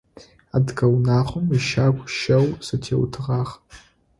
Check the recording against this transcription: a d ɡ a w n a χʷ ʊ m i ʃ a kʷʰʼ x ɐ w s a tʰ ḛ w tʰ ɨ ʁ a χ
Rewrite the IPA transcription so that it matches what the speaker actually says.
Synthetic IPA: a d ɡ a w n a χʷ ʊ m i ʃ a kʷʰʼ ʃ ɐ w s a tʰ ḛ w tʰ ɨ ʁ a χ